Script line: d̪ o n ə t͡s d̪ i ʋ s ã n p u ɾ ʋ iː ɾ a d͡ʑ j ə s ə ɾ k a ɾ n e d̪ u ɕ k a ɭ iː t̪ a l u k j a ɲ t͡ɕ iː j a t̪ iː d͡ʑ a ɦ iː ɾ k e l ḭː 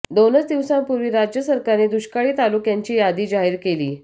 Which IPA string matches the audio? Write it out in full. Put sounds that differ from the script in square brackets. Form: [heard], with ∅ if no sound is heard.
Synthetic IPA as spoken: d̪ o n ə t͡s d̪ i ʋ s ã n p u ɾ ʋ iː ɾ a d͡ʑ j ə s ə ɾ k a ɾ n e d̪ u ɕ k a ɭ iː t̪ a l u k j a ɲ t͡ɕ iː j a [d̪] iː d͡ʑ a ɦ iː ɾ k e l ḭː

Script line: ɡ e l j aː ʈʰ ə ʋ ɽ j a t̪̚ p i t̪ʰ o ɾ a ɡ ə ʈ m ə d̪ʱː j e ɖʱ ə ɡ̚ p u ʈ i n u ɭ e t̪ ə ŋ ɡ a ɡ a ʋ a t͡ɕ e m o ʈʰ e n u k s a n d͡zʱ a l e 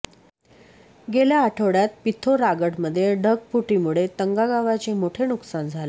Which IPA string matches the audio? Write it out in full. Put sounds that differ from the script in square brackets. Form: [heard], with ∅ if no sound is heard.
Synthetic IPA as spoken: ɡ e l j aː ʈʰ ə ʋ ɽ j a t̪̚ p i t̪ʰ o ɾ a ɡ ə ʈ m ə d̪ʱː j e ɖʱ ə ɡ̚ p u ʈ i [m] u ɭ e t̪ ə ŋ ɡ a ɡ a ʋ a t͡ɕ e m o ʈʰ e n u k s a n d͡zʱ a l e

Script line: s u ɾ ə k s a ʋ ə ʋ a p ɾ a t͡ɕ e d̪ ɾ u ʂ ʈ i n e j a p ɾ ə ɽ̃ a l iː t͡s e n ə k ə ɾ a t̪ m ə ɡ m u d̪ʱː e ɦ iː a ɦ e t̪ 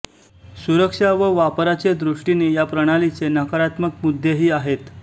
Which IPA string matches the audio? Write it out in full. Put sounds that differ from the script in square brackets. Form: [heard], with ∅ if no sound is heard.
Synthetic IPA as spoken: s u ɾ ə k [ʂ] a ʋ ə ʋ a p ɾ a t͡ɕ e d̪ ɾ u ʂ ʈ i n e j a p ɾ ə ɽ̃ a l [i] t͡s e n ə k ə ɾ a t̪ m ə [k] m u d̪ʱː e ɦ iː a ɦ e t̪

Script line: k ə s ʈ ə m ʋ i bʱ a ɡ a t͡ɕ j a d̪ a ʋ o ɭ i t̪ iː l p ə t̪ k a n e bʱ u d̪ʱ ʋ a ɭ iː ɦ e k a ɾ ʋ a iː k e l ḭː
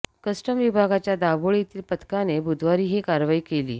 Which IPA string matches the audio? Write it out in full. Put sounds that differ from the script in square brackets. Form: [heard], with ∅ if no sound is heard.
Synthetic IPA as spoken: k ə s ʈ ə m ʋ i bʱ a ɡ a t͡ɕ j a d̪ a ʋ o ɭ i t̪ iː l p ə t̪ k a n e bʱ u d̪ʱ ʋ a [ɾ] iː ɦ e k a ɾ ʋ a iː k e l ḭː

